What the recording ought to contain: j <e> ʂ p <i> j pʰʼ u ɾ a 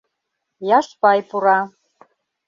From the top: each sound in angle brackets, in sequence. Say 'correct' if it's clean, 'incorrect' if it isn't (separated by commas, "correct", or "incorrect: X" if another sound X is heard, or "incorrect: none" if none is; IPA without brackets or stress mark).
incorrect: a, incorrect: a